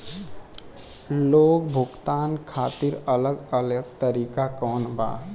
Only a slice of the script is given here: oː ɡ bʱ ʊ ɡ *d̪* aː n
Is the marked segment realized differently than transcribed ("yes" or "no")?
yes